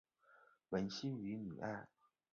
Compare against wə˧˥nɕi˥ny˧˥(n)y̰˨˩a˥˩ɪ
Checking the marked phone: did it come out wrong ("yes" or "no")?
no